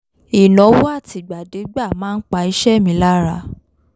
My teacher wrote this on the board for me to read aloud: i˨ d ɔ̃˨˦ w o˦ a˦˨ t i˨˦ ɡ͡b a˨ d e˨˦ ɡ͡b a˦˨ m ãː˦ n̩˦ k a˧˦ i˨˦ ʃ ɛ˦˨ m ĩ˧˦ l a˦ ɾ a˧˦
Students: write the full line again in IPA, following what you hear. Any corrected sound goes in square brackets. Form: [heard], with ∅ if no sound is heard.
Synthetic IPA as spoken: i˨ [n] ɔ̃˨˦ w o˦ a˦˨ t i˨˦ ɡ͡b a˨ d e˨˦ ɡ͡b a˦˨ m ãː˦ n̩˦ [k͡p] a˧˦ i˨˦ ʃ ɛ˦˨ m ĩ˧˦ l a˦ ɾ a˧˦